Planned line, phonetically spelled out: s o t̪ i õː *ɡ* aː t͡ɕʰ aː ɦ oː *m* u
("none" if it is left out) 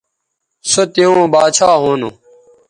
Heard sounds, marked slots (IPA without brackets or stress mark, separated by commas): b, n